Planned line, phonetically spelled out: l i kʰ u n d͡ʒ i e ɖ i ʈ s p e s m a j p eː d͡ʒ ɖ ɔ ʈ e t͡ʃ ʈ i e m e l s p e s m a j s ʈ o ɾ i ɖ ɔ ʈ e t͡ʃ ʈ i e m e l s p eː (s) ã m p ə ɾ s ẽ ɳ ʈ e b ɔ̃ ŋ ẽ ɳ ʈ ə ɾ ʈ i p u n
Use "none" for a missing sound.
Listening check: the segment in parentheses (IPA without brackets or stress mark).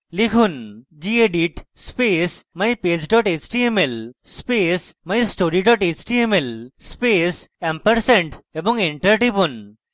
s